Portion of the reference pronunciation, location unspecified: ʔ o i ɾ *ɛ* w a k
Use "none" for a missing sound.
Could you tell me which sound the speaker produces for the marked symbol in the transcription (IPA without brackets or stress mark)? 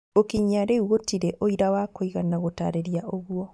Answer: a